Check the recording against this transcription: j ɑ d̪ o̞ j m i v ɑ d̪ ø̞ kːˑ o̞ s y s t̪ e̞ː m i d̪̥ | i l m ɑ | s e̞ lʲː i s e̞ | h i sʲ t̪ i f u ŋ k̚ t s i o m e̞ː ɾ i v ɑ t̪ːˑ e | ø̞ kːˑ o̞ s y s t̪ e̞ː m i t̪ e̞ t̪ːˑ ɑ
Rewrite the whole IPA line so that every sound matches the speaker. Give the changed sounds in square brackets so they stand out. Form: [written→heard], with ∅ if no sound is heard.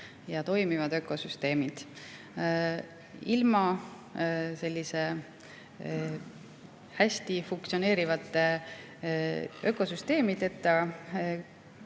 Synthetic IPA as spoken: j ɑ [d̪→t̪] o̞ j m i v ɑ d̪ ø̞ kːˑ o̞ s y s t̪ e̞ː m i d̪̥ | i l m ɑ | s e̞ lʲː i s e̞ | h [i→æ] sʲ t̪ i f u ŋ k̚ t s i o [m→n] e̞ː ɾ i v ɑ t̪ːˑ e | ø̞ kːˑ o̞ s y s t̪ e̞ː m i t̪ e̞ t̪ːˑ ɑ